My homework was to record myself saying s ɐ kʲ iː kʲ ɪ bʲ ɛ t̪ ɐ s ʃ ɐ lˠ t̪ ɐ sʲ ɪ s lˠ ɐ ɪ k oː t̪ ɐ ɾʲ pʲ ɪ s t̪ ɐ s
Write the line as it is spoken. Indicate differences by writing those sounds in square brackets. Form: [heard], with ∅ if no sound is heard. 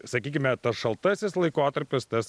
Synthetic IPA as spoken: s ɐ kʲ iː kʲ ɪ [mʲ] ɛ t̪ ɐ s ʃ ɐ lˠ t̪ ɐ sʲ ɪ s lˠ ɐ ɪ k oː t̪ ɐ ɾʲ pʲ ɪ s t̪ ɐ s